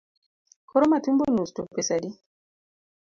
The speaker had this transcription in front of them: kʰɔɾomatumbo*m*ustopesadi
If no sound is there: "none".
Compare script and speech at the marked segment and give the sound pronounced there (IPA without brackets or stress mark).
n